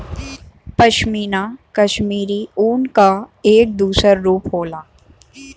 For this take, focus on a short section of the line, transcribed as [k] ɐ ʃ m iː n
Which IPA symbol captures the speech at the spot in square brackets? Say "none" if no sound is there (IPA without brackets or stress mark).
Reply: p